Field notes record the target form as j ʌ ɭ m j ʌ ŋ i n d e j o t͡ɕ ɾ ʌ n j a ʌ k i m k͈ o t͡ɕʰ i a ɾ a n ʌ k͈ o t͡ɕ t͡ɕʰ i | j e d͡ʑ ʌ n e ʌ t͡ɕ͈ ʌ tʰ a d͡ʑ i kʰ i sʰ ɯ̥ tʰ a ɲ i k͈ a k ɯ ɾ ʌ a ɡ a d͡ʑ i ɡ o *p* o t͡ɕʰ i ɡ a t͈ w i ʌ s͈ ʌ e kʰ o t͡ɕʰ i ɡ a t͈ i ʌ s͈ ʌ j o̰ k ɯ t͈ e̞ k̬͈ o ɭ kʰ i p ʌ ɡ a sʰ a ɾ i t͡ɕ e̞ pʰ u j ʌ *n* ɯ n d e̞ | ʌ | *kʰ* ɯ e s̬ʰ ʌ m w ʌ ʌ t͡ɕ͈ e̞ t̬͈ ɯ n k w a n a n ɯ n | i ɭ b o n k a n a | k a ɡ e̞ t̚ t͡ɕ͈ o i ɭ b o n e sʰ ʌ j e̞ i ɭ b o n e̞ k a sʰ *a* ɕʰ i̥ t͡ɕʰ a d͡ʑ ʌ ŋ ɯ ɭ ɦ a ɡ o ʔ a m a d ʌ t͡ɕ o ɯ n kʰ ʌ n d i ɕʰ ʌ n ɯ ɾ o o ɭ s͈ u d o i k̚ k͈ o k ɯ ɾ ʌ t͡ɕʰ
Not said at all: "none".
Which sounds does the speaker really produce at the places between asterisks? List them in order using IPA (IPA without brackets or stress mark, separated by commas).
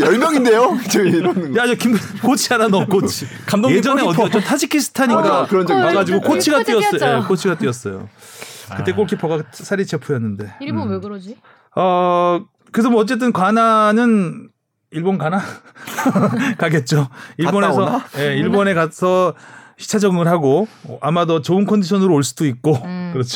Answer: k, nː, k, ʌ